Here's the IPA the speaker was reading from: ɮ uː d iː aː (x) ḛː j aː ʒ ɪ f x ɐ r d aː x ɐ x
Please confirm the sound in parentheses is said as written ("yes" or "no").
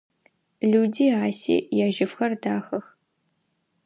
no